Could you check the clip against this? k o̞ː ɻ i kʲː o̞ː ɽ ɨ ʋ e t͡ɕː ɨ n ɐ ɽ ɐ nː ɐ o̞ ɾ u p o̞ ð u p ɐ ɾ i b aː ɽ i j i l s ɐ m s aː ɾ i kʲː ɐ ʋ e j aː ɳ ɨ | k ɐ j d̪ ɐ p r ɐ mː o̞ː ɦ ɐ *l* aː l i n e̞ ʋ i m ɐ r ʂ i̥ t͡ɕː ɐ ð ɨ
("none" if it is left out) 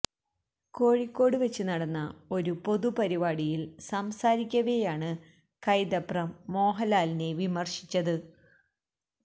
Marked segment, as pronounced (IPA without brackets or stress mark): l